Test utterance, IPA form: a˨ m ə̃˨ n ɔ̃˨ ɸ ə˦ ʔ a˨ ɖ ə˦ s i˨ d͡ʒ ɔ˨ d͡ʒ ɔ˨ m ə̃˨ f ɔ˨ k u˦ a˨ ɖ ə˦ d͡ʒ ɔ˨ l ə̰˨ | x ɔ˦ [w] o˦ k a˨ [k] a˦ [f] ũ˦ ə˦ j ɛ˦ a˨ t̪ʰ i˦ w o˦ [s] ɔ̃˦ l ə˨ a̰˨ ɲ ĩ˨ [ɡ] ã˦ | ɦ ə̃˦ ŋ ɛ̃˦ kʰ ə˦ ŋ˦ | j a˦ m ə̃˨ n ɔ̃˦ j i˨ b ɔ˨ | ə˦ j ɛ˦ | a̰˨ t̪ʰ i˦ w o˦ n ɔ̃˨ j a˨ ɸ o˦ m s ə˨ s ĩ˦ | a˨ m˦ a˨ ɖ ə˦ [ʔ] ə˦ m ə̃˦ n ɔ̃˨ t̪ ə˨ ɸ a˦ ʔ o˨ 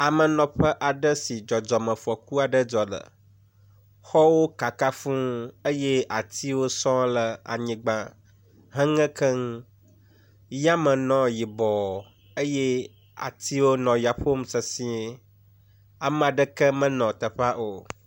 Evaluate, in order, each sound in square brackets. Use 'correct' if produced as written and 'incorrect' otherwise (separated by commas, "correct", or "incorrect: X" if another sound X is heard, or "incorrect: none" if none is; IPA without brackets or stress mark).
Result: correct, correct, correct, correct, incorrect: ɡ͡b, incorrect: k